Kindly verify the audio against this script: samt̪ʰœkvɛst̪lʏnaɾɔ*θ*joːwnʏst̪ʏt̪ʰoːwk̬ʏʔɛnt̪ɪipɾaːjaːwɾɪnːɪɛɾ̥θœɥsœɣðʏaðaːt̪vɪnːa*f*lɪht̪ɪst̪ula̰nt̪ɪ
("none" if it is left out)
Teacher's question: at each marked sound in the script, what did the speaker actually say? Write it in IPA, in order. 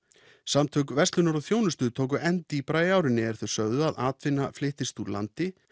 θ, f

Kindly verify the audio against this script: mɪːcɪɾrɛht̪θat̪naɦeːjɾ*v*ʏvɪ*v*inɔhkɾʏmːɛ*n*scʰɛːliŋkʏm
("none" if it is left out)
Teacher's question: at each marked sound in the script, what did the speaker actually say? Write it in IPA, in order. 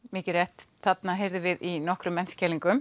ð, ð, n

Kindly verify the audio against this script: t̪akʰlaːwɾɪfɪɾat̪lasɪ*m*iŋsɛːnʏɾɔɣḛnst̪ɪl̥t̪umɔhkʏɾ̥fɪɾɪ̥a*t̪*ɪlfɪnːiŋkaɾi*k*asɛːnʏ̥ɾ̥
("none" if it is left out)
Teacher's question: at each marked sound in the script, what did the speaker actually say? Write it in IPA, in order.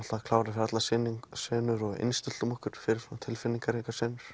n, t̪ʰ, k

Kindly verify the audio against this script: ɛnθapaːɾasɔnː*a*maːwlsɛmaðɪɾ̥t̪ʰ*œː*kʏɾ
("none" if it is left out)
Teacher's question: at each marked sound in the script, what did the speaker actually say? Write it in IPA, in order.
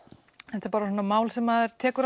a, ɛː

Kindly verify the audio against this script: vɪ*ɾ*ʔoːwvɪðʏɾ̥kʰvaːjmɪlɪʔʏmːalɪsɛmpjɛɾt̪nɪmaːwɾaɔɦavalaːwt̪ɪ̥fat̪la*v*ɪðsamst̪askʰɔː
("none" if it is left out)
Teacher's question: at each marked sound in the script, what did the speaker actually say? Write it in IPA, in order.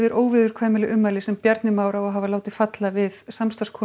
ɾ, v

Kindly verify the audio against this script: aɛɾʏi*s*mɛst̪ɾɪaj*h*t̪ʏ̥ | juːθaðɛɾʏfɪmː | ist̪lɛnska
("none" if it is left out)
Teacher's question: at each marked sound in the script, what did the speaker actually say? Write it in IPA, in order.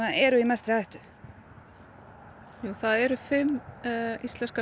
none, h

